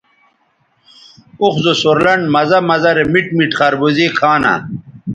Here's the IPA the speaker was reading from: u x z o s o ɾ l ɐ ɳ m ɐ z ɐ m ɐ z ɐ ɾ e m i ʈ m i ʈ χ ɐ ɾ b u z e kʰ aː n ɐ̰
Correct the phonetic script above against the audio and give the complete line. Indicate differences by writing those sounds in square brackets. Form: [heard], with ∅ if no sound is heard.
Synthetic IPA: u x z o s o ɾ l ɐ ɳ m ɐ z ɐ m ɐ z ɐ ɾ e m i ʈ m i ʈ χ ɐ ɾ b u z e kʰ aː n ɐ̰